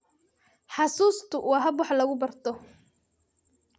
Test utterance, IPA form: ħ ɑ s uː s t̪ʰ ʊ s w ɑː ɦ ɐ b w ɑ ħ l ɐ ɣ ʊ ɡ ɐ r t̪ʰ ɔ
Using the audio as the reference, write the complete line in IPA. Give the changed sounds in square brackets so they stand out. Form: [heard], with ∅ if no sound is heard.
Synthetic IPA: ħ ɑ s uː s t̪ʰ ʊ [∅] w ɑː ɦ ɐ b w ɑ ħ l ɐ ɣ ʊ [b] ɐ r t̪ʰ ɔ